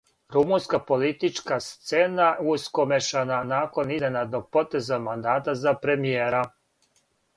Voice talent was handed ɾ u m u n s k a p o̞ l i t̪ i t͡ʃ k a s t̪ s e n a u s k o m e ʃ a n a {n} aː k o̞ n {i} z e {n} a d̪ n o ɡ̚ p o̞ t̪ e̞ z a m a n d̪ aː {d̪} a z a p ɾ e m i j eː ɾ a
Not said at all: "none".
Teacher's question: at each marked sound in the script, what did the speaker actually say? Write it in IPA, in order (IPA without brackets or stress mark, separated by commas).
n, i, n, t̪